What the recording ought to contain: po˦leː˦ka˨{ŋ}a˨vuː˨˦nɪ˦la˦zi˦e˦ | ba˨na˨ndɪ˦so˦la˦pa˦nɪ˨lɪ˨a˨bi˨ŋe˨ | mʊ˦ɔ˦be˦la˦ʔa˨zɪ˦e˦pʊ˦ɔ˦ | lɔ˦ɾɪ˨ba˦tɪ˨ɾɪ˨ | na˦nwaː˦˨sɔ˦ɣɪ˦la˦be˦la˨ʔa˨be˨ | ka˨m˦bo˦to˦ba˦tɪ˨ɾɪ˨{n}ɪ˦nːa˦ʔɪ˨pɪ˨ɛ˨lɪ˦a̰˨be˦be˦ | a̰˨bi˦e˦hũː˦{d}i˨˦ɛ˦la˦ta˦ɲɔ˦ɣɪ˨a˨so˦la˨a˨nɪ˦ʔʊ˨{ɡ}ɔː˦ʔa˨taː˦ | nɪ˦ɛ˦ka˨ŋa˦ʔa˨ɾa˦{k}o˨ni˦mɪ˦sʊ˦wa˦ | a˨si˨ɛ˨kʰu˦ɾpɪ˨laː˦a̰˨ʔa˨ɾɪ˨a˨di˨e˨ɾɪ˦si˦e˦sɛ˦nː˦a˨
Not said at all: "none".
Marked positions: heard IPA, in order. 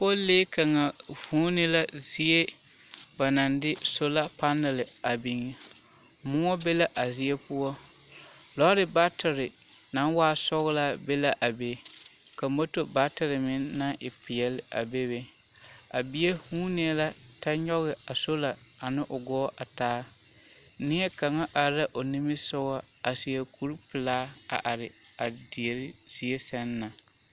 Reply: ŋ, m, n, ɡ, ʔ

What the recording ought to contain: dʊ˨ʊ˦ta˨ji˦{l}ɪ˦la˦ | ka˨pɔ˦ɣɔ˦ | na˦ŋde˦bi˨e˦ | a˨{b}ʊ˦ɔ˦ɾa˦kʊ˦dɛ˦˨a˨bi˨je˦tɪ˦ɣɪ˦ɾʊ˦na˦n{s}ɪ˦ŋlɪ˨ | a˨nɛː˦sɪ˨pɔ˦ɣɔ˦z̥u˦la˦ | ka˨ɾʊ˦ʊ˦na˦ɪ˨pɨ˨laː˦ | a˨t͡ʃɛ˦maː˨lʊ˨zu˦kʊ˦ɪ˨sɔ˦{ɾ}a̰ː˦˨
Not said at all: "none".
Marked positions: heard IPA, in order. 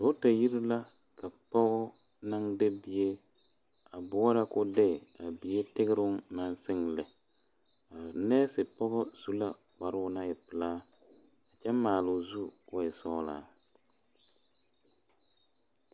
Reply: ɾ, b, s, l

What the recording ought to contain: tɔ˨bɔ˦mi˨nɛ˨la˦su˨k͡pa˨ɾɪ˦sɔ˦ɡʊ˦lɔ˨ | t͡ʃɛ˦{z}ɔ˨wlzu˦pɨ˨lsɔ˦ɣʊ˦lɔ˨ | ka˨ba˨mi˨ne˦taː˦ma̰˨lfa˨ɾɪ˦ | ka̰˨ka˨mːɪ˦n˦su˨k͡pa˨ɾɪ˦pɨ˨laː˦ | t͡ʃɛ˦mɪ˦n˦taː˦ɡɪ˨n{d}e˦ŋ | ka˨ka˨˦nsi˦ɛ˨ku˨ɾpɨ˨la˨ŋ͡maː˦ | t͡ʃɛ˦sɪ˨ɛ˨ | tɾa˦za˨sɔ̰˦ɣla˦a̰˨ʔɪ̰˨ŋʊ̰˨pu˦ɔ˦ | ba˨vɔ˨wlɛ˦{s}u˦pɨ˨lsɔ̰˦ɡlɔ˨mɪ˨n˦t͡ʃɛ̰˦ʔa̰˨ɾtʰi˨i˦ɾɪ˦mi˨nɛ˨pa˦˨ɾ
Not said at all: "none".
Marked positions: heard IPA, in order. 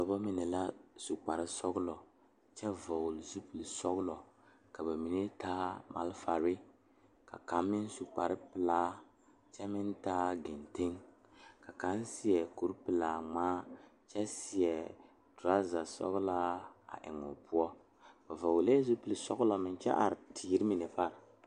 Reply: v, t, z

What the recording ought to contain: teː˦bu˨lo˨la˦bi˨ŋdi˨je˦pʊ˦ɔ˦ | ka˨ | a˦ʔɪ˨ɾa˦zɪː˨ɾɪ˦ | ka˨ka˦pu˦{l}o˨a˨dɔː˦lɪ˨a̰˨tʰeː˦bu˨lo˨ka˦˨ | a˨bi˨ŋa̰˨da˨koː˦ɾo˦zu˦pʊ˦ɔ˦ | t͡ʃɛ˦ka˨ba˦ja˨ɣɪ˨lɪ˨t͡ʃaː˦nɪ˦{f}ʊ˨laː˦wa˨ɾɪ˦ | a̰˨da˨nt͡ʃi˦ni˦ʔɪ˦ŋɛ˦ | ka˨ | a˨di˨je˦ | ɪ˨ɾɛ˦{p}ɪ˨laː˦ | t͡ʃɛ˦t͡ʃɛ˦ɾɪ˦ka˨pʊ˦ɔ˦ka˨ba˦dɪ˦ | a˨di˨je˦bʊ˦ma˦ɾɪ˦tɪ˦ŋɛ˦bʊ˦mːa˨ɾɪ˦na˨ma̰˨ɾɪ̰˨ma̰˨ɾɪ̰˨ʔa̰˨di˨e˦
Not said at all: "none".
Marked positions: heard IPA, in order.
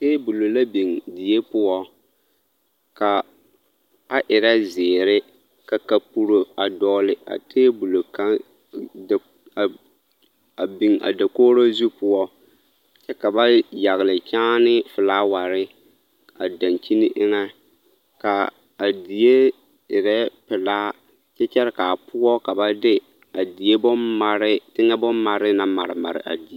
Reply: ɾ, f, p

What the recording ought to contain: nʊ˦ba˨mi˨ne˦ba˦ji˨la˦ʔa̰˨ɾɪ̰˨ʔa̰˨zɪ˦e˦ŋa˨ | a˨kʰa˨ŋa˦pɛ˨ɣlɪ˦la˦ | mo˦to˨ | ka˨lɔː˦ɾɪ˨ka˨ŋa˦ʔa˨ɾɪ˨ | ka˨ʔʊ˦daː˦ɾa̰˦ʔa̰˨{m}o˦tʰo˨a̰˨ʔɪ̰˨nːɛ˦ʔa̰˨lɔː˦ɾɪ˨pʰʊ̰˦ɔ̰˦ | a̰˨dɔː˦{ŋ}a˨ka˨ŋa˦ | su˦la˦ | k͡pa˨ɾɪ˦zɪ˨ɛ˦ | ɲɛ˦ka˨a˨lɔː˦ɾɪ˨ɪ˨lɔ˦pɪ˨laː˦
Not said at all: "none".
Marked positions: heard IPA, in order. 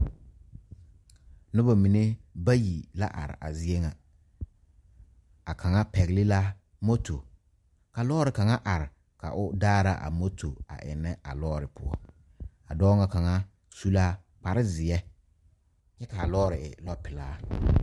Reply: m, ŋ

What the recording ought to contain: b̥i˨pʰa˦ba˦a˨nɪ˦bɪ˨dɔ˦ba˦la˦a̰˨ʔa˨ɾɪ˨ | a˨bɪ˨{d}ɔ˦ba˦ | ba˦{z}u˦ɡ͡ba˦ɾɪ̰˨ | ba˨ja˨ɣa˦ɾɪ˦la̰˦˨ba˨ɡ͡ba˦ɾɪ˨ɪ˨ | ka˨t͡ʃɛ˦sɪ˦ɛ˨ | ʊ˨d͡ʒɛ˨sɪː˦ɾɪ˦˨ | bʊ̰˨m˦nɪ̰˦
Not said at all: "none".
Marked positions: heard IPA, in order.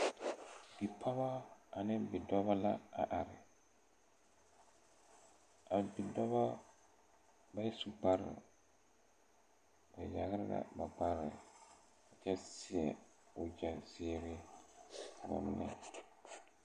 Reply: d, s

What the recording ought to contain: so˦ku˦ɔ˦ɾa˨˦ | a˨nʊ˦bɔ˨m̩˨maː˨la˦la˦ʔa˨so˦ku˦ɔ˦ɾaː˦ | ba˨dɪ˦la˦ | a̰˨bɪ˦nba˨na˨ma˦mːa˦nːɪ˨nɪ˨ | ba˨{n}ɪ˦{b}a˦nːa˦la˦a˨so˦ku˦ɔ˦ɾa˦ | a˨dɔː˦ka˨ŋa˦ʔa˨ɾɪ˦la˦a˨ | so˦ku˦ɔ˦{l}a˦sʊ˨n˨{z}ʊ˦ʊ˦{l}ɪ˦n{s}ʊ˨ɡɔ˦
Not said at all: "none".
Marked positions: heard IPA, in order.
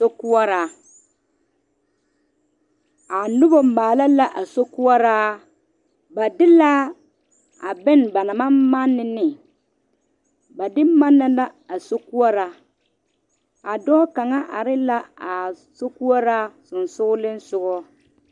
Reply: d, m, ɾ, s, l, s

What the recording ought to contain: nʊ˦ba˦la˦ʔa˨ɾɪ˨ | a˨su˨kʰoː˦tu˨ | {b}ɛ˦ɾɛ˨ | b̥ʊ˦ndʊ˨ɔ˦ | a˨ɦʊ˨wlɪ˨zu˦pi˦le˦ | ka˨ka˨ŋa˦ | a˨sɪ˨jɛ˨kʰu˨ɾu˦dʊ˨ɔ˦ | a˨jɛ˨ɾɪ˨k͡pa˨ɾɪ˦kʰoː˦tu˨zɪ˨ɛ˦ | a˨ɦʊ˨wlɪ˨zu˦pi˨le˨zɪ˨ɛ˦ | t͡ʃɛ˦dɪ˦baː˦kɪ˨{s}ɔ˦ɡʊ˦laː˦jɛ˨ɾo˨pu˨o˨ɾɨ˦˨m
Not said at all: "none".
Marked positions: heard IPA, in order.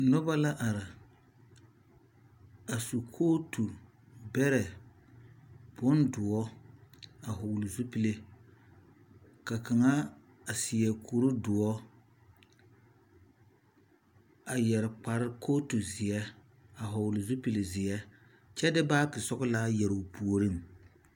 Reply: b, s

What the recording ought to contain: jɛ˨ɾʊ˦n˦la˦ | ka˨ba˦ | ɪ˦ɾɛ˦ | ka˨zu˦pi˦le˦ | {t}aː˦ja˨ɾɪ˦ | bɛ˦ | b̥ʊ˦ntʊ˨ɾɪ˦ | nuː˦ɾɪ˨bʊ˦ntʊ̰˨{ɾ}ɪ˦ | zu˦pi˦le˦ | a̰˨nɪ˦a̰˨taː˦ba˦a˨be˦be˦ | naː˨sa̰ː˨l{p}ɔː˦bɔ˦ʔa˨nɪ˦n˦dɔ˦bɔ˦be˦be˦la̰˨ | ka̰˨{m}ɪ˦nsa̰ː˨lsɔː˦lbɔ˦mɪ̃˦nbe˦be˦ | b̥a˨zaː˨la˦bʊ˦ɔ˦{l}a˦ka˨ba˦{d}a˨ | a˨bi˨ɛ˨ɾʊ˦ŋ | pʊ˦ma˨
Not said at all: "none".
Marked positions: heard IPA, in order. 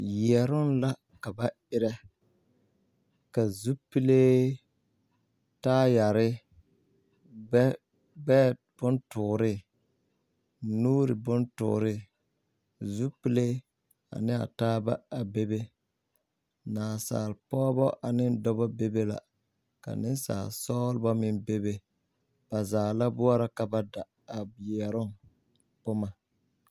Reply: t, ɾ, p, n, ɾ, d

